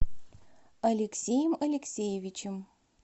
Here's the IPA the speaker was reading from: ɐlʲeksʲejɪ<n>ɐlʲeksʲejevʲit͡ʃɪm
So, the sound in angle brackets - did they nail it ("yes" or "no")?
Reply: no